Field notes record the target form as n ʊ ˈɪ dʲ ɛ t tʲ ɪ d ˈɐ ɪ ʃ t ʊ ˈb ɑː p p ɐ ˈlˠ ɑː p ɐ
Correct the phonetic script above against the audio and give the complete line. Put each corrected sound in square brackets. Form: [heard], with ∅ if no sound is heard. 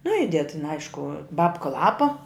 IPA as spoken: n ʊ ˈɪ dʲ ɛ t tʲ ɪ [n] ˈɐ ɪ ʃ [k] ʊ ˈb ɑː p [k] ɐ ˈlˠ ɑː p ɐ